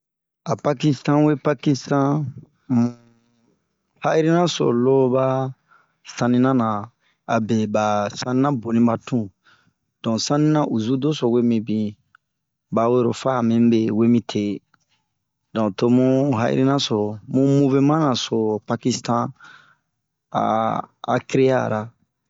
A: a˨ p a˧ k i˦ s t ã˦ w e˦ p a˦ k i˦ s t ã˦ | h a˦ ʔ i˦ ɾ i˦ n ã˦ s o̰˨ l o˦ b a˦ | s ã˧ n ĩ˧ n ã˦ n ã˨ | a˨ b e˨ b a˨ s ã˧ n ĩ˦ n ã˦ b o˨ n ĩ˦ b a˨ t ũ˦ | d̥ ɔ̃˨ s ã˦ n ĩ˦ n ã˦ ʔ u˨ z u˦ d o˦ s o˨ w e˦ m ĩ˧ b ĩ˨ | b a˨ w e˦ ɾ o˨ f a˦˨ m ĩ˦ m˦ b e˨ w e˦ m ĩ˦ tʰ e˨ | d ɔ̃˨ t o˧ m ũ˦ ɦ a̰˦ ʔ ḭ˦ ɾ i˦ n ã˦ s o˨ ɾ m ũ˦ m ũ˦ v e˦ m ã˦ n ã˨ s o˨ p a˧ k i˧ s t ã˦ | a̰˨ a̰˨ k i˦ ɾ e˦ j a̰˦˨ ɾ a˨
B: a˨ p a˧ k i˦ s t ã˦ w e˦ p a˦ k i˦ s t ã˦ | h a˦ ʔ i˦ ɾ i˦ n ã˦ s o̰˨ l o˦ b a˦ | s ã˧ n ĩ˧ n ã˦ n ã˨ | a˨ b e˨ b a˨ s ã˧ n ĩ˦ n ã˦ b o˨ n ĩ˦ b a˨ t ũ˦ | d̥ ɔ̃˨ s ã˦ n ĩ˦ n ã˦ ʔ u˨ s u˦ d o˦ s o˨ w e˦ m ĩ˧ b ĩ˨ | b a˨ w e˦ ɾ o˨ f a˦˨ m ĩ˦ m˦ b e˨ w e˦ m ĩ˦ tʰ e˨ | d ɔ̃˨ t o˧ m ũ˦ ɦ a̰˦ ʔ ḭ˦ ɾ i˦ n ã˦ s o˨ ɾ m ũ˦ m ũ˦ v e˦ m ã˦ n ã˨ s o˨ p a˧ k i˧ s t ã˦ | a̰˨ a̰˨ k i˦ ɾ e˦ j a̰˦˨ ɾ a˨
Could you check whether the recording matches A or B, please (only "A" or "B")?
A